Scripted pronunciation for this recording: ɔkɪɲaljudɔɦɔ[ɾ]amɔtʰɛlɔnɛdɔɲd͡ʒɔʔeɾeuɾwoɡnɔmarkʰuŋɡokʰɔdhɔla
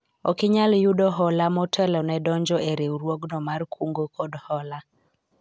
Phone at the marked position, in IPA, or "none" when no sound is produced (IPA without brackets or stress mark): l